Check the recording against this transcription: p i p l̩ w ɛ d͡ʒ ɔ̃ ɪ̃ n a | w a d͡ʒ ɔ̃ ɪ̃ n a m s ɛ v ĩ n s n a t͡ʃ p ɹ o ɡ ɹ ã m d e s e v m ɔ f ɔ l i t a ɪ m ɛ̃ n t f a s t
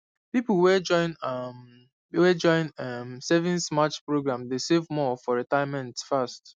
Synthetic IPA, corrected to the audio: p i p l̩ w ɛ d͡ʒ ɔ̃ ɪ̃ n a | w ɛ d͡ʒ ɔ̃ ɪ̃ n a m s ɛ v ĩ n s m a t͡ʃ p ɹ o ɡ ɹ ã m d e s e v m ɔ f ɔ ɹ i t a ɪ m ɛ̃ n t f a s t